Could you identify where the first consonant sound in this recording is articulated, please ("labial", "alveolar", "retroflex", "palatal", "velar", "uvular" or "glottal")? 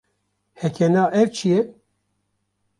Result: glottal